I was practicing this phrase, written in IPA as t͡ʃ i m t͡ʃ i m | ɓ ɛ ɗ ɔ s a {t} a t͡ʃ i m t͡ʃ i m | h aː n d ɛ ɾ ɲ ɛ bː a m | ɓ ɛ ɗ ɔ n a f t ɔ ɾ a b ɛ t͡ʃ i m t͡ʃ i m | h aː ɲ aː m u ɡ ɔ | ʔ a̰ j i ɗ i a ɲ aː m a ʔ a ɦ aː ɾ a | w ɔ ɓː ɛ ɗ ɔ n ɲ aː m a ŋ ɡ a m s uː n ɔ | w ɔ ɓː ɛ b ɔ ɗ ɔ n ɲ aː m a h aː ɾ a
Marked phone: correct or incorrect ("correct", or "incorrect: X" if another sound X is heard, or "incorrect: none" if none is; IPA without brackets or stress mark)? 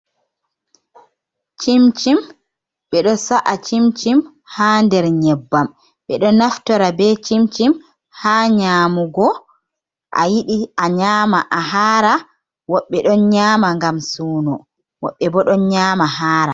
incorrect: ʔ